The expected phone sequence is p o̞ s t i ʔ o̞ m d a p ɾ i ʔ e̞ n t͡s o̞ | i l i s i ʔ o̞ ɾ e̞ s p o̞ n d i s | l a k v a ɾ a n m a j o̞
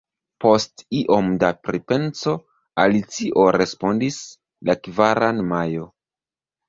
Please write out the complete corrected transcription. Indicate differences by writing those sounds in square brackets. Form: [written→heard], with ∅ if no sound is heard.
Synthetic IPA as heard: p o̞ s t i ʔ o̞ m d a p ɾ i [ʔ→p] e̞ n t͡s o̞ | [i→a] l i [s→t͡s] i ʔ o̞ ɾ e̞ s p o̞ n d i s | l a k v a ɾ a n m a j o̞